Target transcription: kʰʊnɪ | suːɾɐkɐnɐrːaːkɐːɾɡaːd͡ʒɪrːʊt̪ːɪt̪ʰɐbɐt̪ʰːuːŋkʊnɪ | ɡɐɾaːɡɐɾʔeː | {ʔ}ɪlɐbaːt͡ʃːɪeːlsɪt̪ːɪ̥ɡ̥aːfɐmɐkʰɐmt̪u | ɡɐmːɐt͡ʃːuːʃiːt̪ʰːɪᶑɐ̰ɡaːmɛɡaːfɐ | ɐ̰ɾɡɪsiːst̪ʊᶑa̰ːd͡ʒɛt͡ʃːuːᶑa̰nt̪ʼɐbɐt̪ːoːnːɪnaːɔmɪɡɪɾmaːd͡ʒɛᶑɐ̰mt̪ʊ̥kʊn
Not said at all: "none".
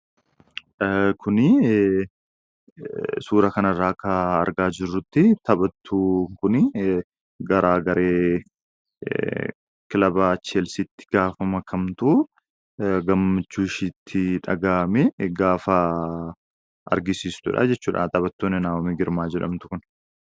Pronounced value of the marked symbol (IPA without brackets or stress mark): k